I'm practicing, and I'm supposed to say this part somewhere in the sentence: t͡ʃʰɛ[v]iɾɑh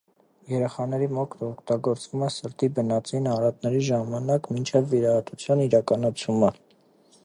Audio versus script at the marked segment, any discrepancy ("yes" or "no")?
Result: yes